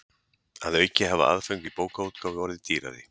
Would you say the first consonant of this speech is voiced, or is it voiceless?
voiced